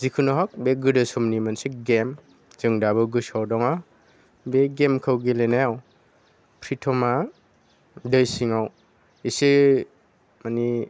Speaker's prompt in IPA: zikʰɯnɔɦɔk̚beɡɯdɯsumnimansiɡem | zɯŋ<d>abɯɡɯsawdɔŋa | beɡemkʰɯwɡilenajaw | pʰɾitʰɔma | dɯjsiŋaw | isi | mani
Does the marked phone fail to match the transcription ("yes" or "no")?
no